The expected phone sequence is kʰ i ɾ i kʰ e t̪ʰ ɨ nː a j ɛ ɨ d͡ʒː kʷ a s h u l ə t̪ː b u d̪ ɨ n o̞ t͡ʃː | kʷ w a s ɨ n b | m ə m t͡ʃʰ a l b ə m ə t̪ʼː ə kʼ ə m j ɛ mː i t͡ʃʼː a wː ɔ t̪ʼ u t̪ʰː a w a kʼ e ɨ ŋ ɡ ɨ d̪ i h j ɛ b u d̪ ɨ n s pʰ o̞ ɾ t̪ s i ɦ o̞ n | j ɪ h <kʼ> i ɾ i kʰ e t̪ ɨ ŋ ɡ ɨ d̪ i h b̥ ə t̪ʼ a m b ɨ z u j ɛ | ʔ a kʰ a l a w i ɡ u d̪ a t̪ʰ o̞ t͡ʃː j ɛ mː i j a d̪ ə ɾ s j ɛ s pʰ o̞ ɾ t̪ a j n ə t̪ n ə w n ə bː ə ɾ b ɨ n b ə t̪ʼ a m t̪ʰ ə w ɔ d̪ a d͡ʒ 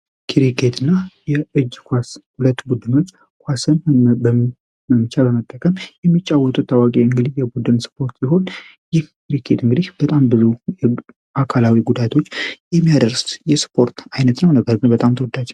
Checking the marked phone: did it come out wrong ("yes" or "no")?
yes